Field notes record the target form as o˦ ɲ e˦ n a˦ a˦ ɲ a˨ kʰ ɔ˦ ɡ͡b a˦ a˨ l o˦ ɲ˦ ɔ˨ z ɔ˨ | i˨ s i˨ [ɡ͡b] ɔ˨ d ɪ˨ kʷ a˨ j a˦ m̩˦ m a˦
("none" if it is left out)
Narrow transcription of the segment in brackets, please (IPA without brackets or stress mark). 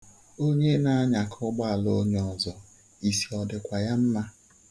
none